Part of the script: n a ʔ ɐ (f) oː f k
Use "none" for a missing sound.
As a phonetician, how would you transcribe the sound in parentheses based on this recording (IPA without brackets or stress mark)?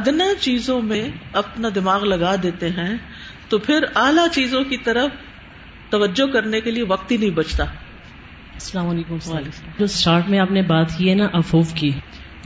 f